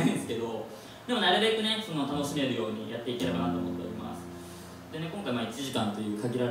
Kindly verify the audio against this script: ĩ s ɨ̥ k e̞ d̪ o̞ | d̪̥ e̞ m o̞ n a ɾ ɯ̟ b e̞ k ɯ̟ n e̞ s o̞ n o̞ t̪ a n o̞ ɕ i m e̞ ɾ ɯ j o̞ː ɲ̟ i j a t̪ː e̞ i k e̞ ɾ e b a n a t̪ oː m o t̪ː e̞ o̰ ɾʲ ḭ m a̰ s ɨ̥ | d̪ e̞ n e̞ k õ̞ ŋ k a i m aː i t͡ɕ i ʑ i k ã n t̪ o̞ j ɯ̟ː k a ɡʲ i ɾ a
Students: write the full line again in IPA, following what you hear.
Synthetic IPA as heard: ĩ s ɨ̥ k e̞ d̪ o̞ | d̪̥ e̞ m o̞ n a ɾ ɯ̟ b e̞ k ɯ̟ n e̞ s o̞ n o̞ t̪ a n o̞ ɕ i m e̞ ɾ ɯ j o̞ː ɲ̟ i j a t̪ː e̞ i k e̞ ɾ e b a n a t̪ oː m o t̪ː e̞ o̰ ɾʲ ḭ m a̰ s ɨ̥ | d̪ e̞ n e̞ k õ̞ ŋ k a i m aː i t͡ɕ i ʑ i k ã n t̪ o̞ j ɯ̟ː k a ɡʲ i ɾ a

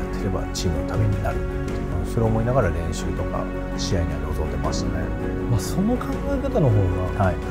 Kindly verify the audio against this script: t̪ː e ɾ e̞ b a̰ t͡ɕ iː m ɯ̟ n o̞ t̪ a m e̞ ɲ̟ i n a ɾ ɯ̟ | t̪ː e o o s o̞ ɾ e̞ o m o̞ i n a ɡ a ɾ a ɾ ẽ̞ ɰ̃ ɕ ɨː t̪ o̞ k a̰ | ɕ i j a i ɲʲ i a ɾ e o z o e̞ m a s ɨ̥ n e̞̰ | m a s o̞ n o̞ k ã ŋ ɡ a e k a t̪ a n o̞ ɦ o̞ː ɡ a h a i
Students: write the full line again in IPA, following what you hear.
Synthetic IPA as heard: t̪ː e ɾ e̞ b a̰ t͡ɕ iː m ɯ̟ n o̞ t̪ a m e̞ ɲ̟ i n a ɾ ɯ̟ | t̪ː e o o s o̞ ɾ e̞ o m o̞ i n a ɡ a ɾ a ɾ ẽ̞ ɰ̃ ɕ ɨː t̪ o̞ k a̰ | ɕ i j a i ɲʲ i a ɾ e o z o e̞ m a s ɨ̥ n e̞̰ | m a s o̞ n o̞ k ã ŋ ɡ a e k a t̪ a n o̞ ɦ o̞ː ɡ a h a i

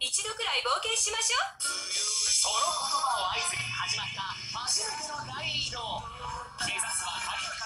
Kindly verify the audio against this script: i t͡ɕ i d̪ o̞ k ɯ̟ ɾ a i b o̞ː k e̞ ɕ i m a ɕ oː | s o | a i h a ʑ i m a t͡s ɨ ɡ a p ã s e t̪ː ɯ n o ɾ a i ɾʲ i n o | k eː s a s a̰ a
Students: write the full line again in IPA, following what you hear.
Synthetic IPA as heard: i t͡ɕ i d̪ o̞ k ɯ̟ ɾ a i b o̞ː k e̞ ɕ i m a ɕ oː | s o | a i h a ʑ i m a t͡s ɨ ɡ a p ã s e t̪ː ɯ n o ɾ a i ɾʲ i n o | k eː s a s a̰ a

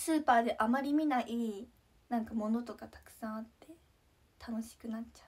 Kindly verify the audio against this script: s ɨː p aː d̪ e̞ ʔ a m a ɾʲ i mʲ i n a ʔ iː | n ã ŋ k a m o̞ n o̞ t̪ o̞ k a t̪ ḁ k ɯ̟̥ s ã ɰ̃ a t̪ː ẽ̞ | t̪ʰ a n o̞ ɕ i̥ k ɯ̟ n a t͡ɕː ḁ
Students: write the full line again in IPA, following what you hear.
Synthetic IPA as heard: s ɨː p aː d̪ e̞ ʔ a m a ɾʲ i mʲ i n a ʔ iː | n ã ŋ k a m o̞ n o̞ t̪ o̞ k a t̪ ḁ k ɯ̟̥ s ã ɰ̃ a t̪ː e̞ | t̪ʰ a n o̞ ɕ i̥ k ɯ̟ n a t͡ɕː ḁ

